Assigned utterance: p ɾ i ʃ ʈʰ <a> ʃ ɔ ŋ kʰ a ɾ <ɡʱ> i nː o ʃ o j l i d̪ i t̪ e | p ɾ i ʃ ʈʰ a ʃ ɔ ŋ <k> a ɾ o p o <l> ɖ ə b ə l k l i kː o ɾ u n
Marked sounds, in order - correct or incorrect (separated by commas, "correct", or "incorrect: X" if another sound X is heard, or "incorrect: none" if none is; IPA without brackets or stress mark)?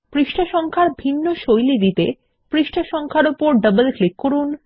correct, incorrect: bʱ, incorrect: kʰ, incorrect: ɾ